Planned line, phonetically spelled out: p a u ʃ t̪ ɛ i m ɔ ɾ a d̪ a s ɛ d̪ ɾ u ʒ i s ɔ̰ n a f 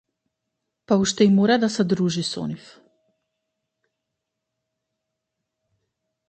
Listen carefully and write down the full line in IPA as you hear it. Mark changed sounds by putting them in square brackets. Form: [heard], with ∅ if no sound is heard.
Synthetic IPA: p a u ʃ t̪ ɛ i m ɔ ɾ a d̪ a s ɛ d̪ ɾ u ʒ i s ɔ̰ n [i] f